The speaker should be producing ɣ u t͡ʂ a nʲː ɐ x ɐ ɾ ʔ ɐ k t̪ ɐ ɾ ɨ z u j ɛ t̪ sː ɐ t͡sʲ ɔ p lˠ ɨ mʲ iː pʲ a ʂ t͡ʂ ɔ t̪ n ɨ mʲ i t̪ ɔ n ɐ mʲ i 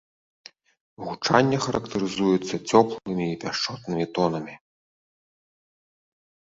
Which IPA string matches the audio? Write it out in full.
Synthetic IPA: ɣ u t͡ʂ a nʲː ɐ x ɐ ɾ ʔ ɐ k t̪ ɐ ɾ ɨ z u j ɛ t̪ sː ɐ t͡sʲ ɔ p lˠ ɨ mʲ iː pʲ a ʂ t͡ʂ ɔ t̪ n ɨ mʲ i t̪ ɔ n ɐ mʲ i